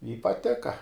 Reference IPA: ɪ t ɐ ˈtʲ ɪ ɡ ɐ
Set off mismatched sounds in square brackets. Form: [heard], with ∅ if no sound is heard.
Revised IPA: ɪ [p] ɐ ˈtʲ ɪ [k] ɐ